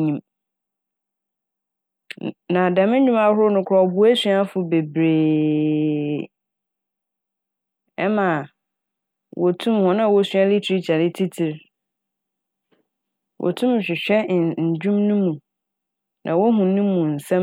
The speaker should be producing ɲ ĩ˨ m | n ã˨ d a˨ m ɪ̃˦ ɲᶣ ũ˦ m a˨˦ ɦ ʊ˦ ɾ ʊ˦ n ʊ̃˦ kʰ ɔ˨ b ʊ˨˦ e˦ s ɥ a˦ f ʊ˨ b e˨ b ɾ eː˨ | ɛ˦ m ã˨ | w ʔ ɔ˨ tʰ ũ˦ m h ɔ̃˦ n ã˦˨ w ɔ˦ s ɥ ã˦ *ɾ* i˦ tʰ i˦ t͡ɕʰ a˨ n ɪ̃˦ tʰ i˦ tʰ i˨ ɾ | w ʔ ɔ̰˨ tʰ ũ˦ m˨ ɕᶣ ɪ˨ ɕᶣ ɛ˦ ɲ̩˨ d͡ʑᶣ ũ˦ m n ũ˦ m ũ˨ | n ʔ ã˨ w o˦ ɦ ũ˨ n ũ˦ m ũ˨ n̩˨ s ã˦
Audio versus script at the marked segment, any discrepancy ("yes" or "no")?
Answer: yes